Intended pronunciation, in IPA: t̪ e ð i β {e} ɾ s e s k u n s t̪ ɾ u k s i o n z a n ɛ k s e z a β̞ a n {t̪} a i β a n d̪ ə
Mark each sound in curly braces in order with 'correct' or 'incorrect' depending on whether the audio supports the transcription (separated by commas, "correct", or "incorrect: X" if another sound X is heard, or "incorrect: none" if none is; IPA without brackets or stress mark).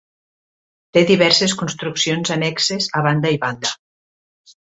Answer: incorrect: ɛ, incorrect: d̪